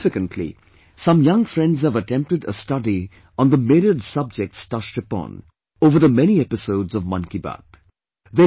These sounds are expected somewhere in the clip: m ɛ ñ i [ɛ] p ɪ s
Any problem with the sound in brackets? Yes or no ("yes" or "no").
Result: no